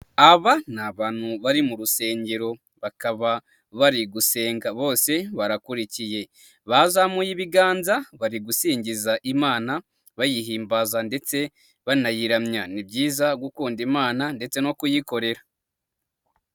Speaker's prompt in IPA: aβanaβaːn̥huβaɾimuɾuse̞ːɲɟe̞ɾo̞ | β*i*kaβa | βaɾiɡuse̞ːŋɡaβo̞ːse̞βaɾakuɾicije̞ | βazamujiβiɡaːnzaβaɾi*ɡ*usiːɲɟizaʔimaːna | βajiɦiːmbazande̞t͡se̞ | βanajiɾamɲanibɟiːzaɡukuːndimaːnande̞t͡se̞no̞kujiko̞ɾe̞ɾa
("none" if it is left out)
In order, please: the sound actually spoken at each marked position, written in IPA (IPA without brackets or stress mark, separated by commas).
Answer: a, ɡ